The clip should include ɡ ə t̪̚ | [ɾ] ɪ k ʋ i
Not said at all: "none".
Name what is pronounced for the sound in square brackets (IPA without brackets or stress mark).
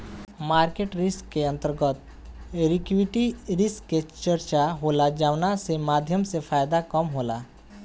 ɾ